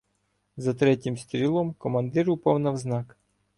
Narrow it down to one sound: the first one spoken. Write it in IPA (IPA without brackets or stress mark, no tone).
z